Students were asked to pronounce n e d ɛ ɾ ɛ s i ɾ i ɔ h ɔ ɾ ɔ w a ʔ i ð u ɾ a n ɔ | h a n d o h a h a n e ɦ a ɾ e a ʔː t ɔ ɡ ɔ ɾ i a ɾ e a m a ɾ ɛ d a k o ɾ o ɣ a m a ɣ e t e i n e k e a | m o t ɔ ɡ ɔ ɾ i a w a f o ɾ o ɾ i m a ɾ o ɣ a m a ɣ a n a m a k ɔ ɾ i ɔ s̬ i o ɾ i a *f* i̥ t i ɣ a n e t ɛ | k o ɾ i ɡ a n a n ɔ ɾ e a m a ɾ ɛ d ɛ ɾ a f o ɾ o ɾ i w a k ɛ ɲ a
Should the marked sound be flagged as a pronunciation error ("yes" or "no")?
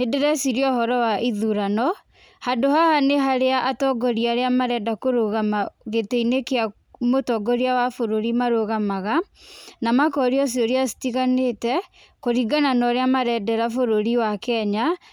yes